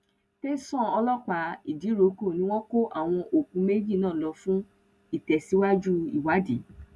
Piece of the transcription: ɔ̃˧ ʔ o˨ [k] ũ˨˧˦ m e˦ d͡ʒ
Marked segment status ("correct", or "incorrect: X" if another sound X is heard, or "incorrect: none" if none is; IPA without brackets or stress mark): correct